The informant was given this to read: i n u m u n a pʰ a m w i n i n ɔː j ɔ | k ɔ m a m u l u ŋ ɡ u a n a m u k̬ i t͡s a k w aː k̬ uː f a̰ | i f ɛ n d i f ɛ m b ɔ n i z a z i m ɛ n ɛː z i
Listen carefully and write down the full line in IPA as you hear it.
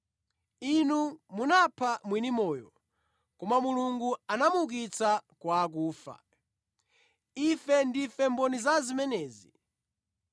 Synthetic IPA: i n u m u n a pʰ a m w i n i m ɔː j ɔ | k ɔ m a m u l u ŋ ɡ u a n a m u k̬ i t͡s a k w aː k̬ uː f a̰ | i f ɛ n d i f ɛ m b ɔ n i z a z i m ɛ n ɛː z i